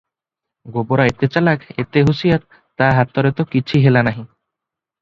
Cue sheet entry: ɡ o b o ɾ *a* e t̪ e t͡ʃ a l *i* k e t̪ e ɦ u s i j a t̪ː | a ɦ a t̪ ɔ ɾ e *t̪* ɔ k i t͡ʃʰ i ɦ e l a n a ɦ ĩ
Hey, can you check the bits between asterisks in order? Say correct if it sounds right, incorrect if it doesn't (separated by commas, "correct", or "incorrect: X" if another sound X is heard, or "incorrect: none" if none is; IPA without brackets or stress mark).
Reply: correct, incorrect: a, correct